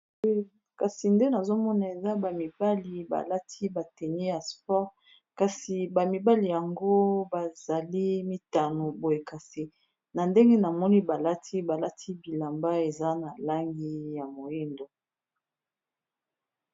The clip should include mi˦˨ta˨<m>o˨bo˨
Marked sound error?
yes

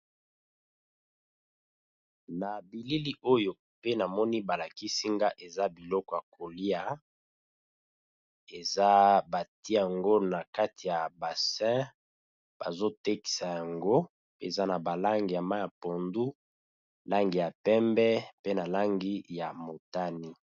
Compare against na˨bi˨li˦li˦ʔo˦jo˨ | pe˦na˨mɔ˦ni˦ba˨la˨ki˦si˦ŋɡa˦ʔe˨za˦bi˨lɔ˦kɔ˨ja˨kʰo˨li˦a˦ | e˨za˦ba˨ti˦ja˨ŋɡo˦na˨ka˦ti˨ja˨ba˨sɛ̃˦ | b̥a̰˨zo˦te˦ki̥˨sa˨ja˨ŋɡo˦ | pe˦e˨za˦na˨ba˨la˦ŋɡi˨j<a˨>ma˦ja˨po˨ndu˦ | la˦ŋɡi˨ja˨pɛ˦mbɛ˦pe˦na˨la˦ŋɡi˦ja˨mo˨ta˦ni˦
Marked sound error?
no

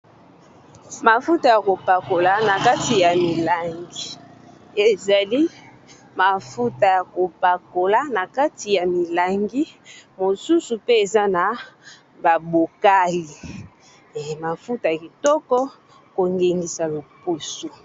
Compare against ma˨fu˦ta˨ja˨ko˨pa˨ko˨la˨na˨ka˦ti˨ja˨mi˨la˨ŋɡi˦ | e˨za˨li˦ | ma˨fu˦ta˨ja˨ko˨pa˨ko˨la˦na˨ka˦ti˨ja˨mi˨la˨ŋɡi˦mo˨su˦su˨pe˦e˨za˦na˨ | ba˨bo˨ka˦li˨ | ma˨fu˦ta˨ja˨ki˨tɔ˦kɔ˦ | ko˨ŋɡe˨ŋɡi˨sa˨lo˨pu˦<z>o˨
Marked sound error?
yes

